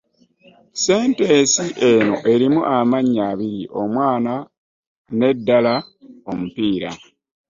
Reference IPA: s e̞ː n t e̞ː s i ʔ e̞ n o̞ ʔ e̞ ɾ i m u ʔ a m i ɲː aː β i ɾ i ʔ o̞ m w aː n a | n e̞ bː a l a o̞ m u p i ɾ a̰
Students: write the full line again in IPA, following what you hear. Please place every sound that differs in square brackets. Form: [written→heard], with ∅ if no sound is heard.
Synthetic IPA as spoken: s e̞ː n t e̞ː s i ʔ e̞ n o̞ ʔ e̞ ɾ i m u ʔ a m [i→a] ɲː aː β i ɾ i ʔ o̞ m w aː n a | n e̞ [bː→dː] a l a o̞ m u p [i→iː] ɾ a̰